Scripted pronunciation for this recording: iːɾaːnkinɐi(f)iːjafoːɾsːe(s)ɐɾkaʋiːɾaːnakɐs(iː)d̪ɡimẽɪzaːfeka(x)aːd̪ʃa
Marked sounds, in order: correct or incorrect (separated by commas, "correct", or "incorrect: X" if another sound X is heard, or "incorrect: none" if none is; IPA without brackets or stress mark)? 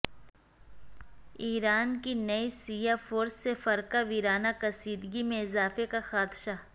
incorrect: s, incorrect: f, correct, correct